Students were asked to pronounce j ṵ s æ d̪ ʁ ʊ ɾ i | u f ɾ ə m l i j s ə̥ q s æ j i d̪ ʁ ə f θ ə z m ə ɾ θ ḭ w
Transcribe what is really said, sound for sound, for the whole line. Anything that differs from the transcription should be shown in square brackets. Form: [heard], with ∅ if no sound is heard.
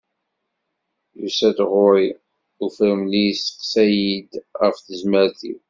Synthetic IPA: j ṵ s æ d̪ ʁ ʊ ɾ i | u f ɾ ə m l i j s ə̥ q s æ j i d̪ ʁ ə f θ ə z m ə ɾ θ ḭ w